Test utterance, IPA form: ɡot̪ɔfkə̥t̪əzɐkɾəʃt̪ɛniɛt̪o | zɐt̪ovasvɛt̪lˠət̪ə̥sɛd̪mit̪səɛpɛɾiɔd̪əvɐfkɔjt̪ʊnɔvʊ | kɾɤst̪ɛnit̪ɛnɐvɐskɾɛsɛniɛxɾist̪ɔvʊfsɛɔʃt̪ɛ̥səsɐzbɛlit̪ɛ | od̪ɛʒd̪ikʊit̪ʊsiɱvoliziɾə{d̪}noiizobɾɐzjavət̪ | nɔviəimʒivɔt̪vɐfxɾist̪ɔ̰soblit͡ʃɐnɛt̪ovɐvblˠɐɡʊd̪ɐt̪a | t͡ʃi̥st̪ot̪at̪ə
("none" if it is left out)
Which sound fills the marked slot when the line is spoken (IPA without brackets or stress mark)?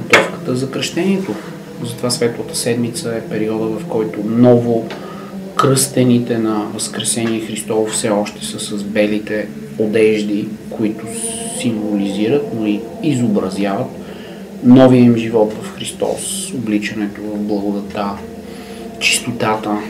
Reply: t̪